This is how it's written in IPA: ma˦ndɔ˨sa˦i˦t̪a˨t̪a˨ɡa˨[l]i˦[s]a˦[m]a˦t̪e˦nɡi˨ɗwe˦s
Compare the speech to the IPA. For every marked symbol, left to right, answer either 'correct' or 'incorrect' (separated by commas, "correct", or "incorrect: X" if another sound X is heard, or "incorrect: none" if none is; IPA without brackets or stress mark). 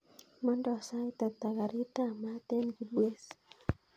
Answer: incorrect: ɾ, incorrect: t, correct